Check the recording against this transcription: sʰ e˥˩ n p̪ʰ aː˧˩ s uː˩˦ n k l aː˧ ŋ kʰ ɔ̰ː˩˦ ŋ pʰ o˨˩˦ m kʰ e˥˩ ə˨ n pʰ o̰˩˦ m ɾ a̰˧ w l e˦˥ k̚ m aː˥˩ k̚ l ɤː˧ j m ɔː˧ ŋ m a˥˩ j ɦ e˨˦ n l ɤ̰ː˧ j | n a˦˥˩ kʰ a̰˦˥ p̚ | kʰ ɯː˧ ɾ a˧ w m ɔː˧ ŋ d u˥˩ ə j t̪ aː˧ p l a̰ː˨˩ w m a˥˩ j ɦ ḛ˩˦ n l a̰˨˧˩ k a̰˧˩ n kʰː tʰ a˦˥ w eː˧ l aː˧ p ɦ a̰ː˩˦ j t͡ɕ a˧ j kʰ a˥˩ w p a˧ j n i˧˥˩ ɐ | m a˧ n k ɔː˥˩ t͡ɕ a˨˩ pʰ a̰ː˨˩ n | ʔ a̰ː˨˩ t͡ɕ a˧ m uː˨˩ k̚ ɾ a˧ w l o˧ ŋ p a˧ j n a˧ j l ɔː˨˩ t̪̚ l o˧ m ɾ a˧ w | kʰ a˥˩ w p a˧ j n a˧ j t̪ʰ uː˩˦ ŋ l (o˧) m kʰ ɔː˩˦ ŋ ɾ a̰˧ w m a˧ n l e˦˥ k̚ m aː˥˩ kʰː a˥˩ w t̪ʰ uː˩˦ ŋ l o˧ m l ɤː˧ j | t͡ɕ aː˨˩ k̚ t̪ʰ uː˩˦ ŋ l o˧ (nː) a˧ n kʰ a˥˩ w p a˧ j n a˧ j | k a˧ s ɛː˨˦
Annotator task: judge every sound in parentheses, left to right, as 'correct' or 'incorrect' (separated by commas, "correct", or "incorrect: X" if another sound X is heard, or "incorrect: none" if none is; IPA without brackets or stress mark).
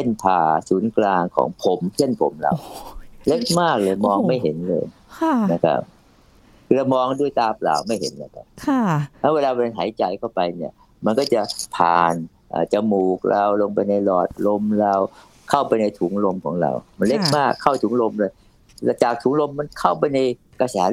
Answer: correct, incorrect: mː